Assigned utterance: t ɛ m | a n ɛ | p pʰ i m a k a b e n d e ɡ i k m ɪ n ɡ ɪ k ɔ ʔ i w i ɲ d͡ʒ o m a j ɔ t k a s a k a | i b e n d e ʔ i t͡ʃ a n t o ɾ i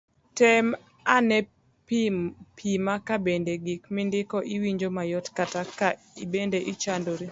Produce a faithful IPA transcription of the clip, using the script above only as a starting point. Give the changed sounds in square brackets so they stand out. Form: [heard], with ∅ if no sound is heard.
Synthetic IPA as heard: t ɛ m | a n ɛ | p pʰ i m a k a b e n d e ɡ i k m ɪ n [d] ɪ k ɔ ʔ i w i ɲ d͡ʒ o m a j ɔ t k a [t] a k a | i b e n d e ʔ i t͡ʃ a n [d] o ɾ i

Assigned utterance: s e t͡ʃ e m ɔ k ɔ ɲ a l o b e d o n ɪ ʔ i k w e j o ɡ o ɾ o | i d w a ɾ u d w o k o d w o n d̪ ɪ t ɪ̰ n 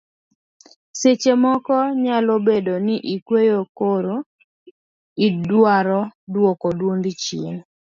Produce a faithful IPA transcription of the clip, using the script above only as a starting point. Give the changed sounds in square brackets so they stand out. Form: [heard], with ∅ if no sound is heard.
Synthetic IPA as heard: s e t͡ʃ e m ɔ k ɔ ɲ a l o b e d o n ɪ ʔ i k w e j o [k] o ɾ o | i d w a ɾ [ɔ] d w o k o d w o n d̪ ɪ [t͡ʃ] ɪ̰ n

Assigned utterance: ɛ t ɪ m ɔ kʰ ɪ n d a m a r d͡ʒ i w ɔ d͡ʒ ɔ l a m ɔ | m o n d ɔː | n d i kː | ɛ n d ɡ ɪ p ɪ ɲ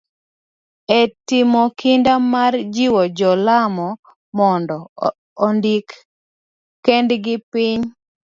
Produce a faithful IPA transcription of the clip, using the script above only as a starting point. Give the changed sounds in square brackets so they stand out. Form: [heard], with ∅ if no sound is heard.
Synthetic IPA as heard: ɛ t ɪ m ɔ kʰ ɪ n d a m a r d͡ʒ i w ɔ d͡ʒ ɔ l a m ɔ | m [ɔ] n d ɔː | n d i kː | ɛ n d ɡ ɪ p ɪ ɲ

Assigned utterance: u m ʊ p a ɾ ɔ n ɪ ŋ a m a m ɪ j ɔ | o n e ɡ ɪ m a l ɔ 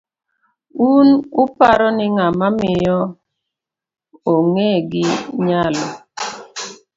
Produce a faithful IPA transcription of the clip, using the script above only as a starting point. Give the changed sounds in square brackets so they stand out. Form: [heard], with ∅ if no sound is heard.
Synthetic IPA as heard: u [n] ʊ p a ɾ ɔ n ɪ ŋ a m a m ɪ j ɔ | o [ŋ] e ɡ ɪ [ɲ] a l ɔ

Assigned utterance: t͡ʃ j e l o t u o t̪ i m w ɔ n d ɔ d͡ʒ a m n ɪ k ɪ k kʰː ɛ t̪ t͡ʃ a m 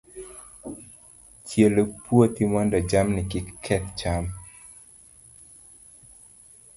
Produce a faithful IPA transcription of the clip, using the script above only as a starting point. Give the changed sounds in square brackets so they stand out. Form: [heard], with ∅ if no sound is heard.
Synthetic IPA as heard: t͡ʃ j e l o [p] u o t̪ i m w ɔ n d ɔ d͡ʒ a m n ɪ k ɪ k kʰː ɛ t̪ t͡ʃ a m

